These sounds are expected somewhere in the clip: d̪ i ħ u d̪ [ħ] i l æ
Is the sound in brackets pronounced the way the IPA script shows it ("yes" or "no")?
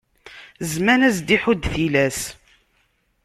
no